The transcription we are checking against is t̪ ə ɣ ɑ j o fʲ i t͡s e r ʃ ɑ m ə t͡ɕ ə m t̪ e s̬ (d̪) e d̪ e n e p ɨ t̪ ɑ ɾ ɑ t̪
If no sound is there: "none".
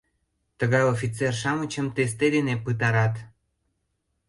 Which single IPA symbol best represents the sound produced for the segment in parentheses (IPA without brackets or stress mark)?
t̪